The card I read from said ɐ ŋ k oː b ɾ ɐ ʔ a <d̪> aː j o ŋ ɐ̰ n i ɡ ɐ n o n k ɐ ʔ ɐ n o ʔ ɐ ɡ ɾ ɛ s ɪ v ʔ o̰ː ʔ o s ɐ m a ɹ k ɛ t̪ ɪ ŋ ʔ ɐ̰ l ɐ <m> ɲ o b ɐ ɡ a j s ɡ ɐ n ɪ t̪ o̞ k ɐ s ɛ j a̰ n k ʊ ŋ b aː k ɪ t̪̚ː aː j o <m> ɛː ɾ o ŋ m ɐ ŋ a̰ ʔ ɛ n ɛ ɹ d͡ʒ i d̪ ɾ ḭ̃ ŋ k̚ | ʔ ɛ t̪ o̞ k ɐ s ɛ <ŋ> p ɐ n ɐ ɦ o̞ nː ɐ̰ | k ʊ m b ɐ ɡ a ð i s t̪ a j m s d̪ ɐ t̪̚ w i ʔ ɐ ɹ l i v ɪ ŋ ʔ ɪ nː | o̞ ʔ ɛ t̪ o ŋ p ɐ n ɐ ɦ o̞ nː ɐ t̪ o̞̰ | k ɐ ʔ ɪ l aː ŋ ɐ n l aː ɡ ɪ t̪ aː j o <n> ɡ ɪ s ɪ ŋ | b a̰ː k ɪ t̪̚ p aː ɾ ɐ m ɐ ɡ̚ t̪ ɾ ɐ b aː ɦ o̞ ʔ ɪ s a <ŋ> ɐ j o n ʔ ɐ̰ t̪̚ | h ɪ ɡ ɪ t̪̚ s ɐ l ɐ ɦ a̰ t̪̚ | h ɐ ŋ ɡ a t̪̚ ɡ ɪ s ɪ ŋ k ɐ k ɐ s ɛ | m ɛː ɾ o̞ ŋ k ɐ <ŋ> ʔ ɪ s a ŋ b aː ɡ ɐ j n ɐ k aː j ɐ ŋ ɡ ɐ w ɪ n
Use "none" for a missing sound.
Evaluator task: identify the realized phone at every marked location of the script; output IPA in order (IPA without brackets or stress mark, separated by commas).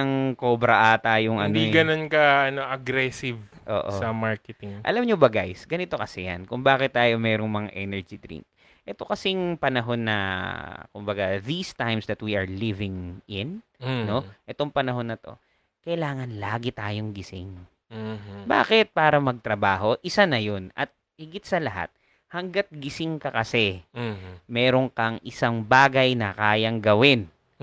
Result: t̪, m, m, ŋ, ŋ, n, ŋ